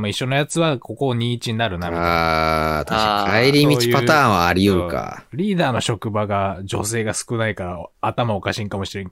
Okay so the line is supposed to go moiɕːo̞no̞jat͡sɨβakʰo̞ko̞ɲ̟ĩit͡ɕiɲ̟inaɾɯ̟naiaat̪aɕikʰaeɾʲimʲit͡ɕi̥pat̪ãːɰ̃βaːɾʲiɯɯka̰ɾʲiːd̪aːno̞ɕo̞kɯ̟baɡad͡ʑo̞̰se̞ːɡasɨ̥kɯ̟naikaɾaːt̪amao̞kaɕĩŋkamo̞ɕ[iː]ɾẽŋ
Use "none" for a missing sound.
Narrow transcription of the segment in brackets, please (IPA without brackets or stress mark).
i